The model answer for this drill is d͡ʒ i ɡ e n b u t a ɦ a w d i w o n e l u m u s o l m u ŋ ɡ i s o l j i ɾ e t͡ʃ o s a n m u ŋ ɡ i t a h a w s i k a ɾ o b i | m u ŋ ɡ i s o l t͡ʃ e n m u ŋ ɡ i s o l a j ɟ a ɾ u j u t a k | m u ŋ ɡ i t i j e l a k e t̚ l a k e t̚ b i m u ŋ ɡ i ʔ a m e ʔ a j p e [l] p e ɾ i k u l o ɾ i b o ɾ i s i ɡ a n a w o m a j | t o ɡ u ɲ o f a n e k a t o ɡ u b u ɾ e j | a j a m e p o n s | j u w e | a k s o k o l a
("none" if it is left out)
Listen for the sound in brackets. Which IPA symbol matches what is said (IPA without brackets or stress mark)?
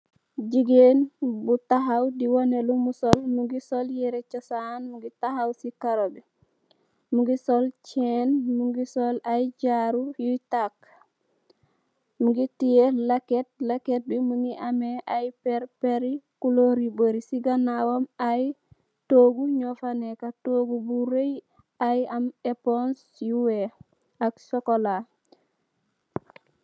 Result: ɾ